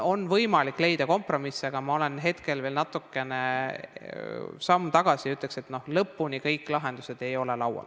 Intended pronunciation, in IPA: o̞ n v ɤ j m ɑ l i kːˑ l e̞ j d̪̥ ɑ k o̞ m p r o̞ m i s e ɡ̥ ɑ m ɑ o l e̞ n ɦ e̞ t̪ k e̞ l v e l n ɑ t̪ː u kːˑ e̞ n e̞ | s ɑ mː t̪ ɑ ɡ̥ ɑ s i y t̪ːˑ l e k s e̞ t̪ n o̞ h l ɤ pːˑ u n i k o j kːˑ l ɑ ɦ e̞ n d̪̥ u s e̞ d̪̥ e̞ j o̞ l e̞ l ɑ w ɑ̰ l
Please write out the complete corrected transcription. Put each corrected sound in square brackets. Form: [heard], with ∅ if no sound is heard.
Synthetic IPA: o̞ n v ɤ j m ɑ l i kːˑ l e̞ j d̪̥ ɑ k o̞ m p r o̞ m i s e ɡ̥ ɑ m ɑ o l e̞ n ɦ e̞ t̪ k e̞ l v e l n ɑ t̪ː u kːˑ e̞ n e̞ | s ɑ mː t̪ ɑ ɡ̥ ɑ s i y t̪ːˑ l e k s e̞ t̪ n o̞ h l ɤ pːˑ u n i k [ɤ] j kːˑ l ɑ ɦ e̞ n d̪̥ u s e̞ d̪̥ e̞ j o̞ l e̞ l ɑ w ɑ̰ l